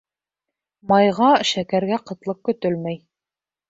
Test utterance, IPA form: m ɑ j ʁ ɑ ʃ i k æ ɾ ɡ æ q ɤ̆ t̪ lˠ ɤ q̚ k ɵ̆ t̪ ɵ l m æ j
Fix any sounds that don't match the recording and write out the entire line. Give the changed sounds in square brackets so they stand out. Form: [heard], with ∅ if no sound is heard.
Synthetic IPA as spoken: m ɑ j ʁ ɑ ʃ [æ] k æ ɾ ɡ æ q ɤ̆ t̪ lˠ ɤ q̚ k ɵ̆ t̪ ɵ l m æ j